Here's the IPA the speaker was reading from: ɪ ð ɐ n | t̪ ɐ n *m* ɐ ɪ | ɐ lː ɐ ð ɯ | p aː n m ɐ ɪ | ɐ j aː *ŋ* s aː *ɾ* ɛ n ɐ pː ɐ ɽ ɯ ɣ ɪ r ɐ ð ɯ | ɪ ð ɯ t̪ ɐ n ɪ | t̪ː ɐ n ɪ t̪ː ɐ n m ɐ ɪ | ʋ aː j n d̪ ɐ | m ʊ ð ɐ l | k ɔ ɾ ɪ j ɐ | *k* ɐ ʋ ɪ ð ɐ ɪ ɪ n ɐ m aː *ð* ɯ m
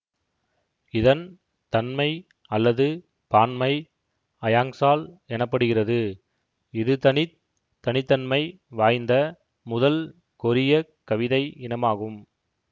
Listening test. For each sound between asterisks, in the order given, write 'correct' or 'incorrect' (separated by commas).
correct, correct, incorrect, correct, incorrect